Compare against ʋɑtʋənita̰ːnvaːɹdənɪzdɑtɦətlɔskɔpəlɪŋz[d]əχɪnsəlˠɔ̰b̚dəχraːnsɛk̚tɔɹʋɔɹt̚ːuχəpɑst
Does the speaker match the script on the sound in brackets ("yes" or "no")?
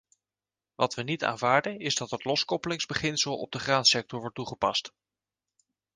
no